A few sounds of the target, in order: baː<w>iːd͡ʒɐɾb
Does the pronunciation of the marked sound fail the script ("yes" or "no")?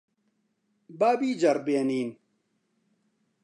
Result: yes